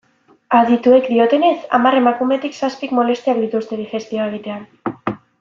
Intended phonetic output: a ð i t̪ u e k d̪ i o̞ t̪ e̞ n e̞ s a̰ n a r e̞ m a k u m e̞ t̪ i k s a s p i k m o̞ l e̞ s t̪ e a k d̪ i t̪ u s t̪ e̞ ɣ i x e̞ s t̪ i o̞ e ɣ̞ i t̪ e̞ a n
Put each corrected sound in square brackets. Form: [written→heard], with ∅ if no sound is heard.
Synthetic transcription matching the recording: a ð i t̪ u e k d̪ i o̞ t̪ e̞ n e̞ s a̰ [n→m] a r e̞ m a k u m e̞ t̪ i k s a s p i k m o̞ l e̞ s t̪ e a k d̪ i t̪ u s t̪ e̞ [ɣ→ð] i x e̞ s t̪ i o̞ e ɣ̞ i t̪ e̞ a n

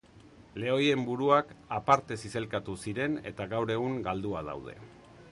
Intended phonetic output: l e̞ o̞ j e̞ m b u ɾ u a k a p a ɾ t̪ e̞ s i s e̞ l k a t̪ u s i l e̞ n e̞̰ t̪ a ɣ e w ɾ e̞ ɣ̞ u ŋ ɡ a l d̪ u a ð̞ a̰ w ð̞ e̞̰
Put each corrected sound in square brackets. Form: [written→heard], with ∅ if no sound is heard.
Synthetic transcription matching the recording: l e̞ o̞ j e̞ m b u ɾ u a k a p a ɾ t̪ e̞ s i s e̞ l k a t̪ u s i [l→ɾ] e̞ n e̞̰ t̪ a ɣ [e→a] w ɾ e̞ ɣ̞ u ŋ ɡ a l d̪ u a ð̞ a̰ w ð̞ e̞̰

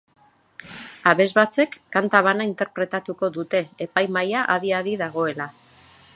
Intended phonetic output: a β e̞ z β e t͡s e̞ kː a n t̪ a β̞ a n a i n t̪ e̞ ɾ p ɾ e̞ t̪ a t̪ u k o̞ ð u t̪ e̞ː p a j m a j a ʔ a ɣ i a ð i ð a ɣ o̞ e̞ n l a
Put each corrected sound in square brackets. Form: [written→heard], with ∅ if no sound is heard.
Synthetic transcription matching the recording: a β e̞ z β [e→a] t͡s e̞ kː a n t̪ a β̞ a n a i n t̪ e̞ ɾ p ɾ e̞ t̪ a t̪ u k o̞ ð u t̪ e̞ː p a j m a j a ʔ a [ɣ→ð] i a ð i ð a ɣ o̞ e̞ [n→∅] l a

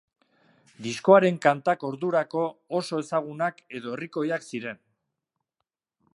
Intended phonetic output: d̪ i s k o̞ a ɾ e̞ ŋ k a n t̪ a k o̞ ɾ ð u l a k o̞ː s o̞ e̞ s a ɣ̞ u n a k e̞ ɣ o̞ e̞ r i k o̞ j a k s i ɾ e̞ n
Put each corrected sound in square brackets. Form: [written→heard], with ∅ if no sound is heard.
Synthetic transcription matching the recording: d̪ i s k o̞ a ɾ e̞ ŋ k a n t̪ a k o̞ ɾ ð u [l→ɾ] a k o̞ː s o̞ e̞ s a ɣ̞ u n a k e̞ [ɣ→ð] o̞ e̞ r i k o̞ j a k s i ɾ e̞ n

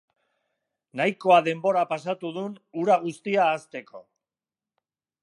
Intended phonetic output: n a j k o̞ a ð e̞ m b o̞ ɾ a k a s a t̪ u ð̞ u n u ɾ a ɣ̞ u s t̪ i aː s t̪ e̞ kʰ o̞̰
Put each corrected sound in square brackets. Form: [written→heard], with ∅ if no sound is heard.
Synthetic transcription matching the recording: n a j k o̞ a ð e̞ m b o̞ ɾ a [k→p] a s a t̪ u ð̞ u n u ɾ a ɣ̞ u s t̪ i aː s t̪ e̞ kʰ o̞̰

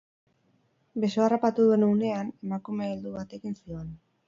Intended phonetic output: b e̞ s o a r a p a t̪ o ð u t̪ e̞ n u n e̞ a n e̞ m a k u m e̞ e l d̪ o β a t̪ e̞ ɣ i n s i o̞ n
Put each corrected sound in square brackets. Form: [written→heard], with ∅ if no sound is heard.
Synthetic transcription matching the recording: b e̞ s o a r a p a t̪ [o→u] ð u [t̪→∅] e̞ n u n e̞ a n e̞ m a k u m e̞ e l d̪ [o→u] β a t̪ e̞ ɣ i n s i o̞ n

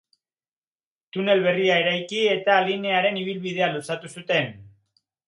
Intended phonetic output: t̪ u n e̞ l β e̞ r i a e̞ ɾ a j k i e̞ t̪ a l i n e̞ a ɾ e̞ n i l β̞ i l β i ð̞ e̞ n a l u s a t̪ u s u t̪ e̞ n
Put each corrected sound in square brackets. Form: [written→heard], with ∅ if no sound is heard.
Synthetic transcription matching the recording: t̪ u n e̞ l β e̞ r i a e̞ ɾ a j k i e̞ t̪ a l i n e̞ a ɾ e̞ n i [l→∅] β̞ i l β i ð̞ e̞ [n→∅] a l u s a t̪ u s u t̪ e̞ n

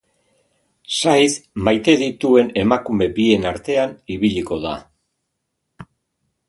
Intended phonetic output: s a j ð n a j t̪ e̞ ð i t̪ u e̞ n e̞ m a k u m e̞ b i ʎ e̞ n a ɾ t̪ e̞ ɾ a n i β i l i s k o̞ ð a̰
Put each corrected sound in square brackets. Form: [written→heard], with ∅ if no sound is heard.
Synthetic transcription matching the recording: s a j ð [n→m] a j t̪ e̞ ð i t̪ u e̞ n e̞ m a k u m e̞ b i [ʎ→∅] e̞ n a ɾ t̪ e̞ [ɾ→∅] a n i β i [l→ʎ] i [s→∅] k o̞ ð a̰

